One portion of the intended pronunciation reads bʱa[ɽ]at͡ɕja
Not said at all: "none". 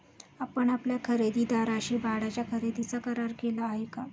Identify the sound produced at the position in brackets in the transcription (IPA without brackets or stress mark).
ɽ